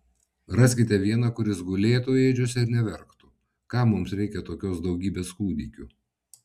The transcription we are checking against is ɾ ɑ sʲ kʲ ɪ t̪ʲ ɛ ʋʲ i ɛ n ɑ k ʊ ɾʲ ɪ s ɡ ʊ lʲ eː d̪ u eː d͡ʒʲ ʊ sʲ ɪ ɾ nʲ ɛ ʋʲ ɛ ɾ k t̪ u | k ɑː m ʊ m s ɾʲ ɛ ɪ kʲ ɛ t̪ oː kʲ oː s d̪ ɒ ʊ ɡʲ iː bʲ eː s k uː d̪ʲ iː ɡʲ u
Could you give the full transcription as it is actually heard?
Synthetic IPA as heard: ɾ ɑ sʲ kʲ ɪ t̪ʲ ɛ ʋʲ i ɛ n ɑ k ʊ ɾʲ ɪ s ɡ ʊ lʲ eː t̪ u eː d͡ʒʲ ʊ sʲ ɪ ɾ nʲ ɛ ʋʲ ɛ ɾ k t̪ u | k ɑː m ʊ m s ɾʲ ɛ ɪ kʲ ɛ t̪ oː kʲ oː s d̪ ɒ ʊ ɡʲ iː bʲ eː s k uː d̪ʲ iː kʲ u